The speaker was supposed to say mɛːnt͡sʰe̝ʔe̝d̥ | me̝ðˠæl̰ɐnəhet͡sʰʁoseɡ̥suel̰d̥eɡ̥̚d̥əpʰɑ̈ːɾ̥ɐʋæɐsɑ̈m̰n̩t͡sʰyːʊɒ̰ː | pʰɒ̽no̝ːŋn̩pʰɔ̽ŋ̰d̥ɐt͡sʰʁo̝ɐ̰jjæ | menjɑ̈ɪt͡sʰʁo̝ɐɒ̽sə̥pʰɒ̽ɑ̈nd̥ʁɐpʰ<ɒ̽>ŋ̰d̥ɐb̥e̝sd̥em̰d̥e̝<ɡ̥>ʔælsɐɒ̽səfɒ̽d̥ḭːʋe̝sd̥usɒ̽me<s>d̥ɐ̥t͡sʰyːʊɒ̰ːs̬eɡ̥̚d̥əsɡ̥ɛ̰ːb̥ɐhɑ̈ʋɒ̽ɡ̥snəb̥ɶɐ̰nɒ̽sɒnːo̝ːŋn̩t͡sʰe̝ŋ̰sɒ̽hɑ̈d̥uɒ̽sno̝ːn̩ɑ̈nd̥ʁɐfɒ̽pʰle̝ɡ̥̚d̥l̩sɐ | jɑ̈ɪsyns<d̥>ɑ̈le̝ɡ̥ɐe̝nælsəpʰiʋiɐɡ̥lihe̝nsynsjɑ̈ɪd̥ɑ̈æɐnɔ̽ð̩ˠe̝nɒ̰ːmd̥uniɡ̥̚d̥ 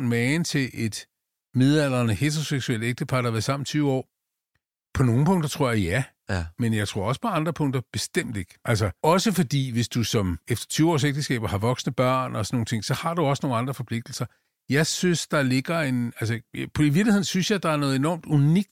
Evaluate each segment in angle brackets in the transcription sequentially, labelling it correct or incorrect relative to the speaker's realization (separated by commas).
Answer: incorrect, correct, incorrect, correct